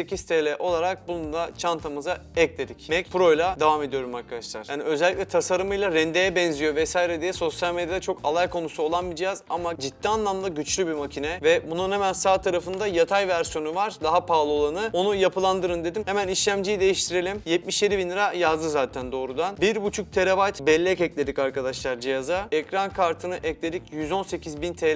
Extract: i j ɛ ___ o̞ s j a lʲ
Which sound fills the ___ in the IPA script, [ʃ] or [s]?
s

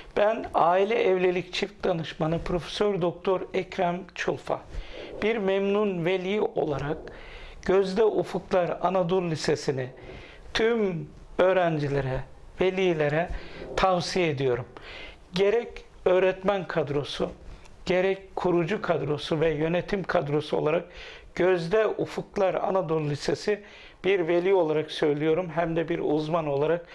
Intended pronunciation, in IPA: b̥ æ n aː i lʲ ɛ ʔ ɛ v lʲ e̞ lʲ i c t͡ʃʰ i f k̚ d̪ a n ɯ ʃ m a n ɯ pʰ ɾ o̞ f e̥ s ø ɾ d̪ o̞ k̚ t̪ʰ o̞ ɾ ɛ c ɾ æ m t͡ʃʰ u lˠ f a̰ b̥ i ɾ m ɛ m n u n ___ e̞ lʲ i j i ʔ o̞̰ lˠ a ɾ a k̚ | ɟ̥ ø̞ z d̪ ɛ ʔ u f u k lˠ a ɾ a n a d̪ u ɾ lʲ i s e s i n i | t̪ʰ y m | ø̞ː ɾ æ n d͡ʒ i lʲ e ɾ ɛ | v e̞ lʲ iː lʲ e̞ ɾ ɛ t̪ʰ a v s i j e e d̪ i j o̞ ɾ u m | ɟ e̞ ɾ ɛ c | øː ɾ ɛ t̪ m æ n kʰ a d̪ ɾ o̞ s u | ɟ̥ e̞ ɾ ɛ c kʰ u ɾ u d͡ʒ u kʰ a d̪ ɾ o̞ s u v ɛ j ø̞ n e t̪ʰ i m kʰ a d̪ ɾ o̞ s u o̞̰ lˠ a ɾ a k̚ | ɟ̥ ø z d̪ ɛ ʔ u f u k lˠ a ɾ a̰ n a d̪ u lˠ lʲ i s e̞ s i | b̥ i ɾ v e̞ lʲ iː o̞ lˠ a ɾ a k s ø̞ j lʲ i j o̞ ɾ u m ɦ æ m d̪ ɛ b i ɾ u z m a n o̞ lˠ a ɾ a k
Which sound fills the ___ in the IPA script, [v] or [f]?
v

